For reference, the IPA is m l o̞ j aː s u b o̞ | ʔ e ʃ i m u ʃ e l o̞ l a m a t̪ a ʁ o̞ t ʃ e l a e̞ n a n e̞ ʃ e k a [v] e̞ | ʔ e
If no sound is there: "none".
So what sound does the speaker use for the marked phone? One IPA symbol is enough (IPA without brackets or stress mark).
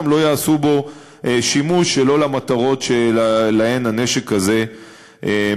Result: z